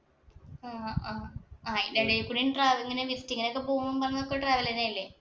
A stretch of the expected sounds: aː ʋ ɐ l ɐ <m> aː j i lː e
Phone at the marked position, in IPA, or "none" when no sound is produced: n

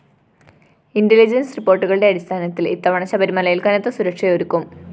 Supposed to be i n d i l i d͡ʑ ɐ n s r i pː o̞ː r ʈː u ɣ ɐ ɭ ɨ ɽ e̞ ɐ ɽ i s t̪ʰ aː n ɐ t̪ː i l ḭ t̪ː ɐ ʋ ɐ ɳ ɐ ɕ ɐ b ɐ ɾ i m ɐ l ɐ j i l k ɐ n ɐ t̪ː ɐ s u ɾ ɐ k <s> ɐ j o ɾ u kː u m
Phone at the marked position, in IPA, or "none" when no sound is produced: ʂ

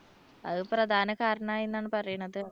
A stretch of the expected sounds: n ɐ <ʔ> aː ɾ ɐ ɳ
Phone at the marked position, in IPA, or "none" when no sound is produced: k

